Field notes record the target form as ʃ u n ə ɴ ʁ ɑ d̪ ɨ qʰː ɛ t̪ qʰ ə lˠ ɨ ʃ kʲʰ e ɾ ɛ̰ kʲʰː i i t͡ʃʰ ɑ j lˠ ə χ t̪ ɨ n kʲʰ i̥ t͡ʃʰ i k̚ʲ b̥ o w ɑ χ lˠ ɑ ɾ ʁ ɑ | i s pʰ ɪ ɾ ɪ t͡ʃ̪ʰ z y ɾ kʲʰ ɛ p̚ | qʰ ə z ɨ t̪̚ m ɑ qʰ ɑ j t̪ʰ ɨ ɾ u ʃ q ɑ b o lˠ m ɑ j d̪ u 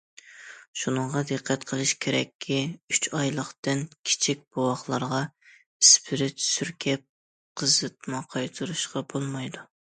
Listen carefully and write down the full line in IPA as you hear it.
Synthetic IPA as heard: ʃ u n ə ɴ ʁ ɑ d̪ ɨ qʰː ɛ t̪ qʰ ə lˠ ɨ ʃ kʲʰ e ɾ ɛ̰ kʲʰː i y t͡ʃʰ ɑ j lˠ ə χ t̪ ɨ n kʲʰ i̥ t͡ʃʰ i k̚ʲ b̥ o w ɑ χ lˠ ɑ ɾ ʁ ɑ | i s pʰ ɪ ɾ ɪ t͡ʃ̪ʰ s y ɾ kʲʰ ɛ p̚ | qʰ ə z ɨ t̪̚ m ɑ qʰ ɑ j t̪ʰ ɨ ɾ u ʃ q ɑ b o lˠ m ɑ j d̪ u